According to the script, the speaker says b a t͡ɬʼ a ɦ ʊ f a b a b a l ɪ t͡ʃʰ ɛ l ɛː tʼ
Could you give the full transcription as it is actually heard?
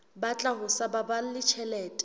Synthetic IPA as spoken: b a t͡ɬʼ a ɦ ʊ s a b a b a l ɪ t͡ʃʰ ɛ l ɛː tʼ